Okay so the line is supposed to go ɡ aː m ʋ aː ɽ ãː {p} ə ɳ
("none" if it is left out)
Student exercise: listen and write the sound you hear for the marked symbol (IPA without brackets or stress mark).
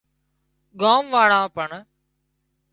p